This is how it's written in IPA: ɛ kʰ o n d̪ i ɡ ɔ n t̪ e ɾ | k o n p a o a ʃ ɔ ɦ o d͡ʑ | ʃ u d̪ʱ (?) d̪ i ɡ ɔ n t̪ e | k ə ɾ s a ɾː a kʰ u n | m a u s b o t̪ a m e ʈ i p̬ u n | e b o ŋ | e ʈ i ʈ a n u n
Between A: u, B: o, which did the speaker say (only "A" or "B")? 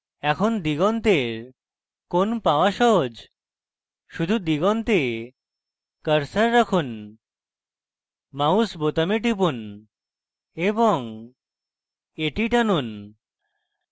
A